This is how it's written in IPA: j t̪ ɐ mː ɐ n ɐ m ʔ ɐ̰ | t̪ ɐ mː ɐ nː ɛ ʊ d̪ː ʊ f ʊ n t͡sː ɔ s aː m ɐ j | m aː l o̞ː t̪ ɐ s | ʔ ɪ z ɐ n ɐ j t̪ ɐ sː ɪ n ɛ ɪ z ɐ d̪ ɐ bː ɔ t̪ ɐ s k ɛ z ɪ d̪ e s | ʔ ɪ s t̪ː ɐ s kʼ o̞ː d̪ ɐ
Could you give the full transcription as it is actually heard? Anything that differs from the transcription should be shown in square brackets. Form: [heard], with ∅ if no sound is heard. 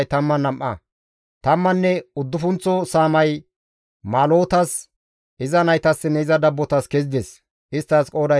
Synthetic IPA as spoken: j t̪ ɐ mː ɐ n ɐ m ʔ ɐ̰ | t̪ ɐ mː ɐ nː ɛ ʊ d̪ː ʊ f ʊ n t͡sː ɔ s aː m ɐ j | m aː l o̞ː t̪ ɐ s | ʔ ɪ z ɐ n ɐ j t̪ ɐ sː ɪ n ɛ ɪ z ɐ d̪ ɐ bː ɔ t̪ ɐ s k ɛ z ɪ d̪ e s | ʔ ɪ s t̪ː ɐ s kʼ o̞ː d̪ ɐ